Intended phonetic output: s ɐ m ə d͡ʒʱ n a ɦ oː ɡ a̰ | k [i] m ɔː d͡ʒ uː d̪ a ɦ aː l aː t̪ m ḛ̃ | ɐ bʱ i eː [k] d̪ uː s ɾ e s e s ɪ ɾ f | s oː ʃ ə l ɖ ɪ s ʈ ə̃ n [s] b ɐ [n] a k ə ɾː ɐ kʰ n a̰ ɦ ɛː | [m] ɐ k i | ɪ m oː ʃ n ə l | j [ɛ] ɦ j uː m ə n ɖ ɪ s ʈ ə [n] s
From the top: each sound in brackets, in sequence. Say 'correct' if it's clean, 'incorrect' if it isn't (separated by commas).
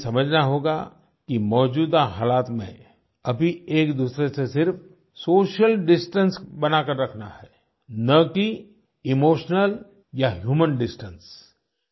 correct, correct, correct, correct, incorrect, incorrect, correct